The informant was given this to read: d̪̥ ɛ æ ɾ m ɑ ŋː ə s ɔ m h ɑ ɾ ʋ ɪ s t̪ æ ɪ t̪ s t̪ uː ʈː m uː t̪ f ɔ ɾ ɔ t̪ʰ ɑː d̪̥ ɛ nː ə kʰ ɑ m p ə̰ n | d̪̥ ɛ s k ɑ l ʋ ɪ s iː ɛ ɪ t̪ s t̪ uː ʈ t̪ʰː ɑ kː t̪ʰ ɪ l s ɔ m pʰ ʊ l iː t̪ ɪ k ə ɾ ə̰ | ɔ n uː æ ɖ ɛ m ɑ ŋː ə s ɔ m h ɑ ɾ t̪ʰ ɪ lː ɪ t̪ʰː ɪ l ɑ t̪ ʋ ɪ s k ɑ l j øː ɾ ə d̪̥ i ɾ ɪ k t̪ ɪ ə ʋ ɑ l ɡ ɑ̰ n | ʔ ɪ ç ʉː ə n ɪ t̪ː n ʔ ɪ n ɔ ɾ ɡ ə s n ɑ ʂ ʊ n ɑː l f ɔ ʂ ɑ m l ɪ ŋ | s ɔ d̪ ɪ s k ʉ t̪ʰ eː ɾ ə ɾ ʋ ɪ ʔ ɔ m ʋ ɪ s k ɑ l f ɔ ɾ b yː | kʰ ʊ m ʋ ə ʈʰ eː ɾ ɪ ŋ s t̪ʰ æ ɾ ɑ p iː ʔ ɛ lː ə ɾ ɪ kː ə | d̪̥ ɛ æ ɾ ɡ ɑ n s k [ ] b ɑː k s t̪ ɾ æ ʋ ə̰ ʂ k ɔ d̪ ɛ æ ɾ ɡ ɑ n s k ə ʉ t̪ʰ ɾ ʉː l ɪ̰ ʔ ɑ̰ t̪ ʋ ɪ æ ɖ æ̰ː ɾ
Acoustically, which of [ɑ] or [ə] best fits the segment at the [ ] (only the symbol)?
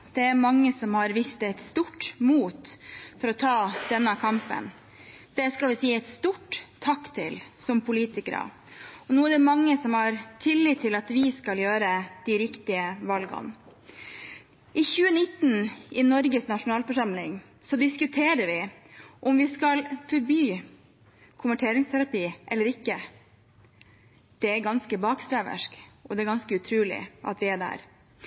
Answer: ə